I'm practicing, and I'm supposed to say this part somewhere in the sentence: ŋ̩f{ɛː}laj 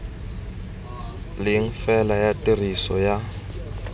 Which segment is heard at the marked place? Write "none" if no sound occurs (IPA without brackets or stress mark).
ɛ